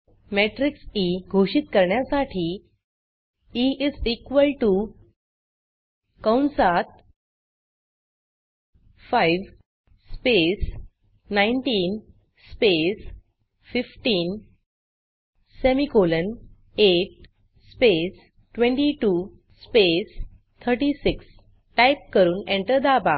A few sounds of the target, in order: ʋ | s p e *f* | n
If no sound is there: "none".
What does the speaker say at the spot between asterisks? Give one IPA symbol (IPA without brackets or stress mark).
s